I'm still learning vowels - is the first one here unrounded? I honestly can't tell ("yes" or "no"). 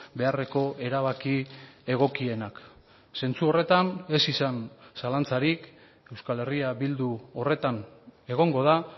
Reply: yes